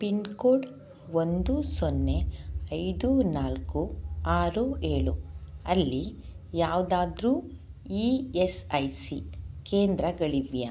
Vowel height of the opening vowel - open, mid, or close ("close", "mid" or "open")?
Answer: close